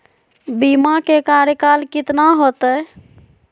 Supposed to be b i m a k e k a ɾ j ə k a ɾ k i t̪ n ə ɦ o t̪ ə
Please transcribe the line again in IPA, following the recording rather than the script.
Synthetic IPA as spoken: b i m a k e k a ɾ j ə k a l k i t̪ n a ɦ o t̪ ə